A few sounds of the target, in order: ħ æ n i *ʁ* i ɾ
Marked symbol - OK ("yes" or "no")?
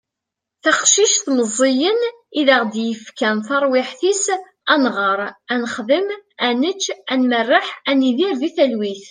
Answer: no